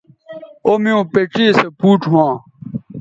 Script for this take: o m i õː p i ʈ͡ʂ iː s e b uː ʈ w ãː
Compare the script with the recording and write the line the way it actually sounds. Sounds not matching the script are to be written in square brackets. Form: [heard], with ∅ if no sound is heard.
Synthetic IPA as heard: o m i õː p [e] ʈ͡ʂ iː s e [p] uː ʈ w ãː